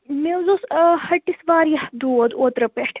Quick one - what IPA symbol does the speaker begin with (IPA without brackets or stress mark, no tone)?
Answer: m